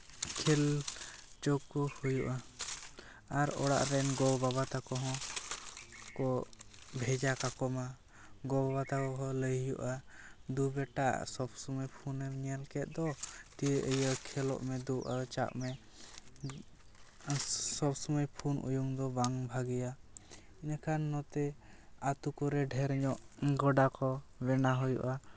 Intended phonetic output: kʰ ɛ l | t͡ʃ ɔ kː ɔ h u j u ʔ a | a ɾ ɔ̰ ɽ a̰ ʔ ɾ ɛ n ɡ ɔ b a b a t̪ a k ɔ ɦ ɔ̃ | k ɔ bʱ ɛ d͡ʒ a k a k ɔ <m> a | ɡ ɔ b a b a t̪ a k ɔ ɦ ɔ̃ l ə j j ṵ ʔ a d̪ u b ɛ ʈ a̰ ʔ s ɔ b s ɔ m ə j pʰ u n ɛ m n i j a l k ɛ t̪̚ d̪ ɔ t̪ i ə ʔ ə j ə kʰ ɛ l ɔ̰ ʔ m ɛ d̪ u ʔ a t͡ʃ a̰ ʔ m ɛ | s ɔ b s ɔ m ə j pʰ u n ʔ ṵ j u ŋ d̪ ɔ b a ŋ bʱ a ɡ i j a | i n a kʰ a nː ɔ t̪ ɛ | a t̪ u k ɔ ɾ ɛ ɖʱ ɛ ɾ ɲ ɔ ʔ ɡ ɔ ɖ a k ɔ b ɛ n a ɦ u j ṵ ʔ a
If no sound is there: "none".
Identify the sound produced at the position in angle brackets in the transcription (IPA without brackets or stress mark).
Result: m